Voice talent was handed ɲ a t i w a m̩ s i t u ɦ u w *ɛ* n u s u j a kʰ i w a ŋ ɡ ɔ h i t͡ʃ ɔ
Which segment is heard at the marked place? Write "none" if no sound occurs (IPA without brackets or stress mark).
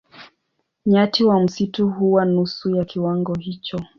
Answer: a